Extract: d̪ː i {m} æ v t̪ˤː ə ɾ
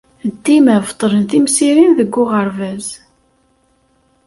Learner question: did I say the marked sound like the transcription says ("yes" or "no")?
yes